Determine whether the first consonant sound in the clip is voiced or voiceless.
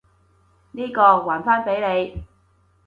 voiced